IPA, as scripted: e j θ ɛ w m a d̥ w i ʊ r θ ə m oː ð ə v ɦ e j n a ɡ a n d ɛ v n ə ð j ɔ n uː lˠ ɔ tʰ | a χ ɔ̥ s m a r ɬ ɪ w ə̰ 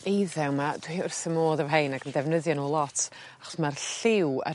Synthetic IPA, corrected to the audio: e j ð ɛ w m a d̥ w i ʊ r θ ə m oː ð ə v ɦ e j n a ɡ ə n d ɛ v n ə ð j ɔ n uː lˠ ɔ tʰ | a χ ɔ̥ s m a r ɬ ɪ w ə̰